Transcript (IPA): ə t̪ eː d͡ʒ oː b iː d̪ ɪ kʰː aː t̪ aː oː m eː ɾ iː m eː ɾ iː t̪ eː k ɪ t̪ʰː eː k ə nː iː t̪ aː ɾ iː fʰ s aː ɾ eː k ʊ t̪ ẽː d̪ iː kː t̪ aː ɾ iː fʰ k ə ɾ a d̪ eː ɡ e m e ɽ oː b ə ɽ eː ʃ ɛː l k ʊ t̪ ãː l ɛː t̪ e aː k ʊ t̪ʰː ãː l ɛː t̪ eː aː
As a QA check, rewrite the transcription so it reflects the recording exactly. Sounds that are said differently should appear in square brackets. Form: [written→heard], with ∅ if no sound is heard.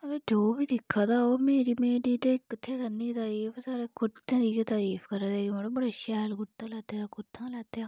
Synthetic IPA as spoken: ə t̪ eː d͡ʒ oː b iː d̪ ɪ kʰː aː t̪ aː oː m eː ɾ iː m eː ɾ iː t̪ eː k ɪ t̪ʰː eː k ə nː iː t̪ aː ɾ iː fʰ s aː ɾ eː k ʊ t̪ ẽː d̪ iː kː t̪ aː ɾ iː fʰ k ə ɾ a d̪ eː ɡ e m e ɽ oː b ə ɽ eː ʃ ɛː l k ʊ t̪ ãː l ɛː t̪ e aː k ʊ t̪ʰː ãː l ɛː t̪ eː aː